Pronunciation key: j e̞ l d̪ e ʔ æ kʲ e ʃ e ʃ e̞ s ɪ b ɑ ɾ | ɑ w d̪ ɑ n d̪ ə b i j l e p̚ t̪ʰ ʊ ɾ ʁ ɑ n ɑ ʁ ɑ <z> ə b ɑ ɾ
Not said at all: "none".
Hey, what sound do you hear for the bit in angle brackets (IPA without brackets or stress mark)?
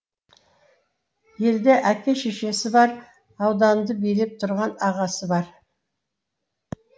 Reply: s